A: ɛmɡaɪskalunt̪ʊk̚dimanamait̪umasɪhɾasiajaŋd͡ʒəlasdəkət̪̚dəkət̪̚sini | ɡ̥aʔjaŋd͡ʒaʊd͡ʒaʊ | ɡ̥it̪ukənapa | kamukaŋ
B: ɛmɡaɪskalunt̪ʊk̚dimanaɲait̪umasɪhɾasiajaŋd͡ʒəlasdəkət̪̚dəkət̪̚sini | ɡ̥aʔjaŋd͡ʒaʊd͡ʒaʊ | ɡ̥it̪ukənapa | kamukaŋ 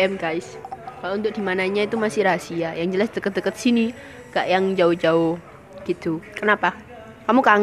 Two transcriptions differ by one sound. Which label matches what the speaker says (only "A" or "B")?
B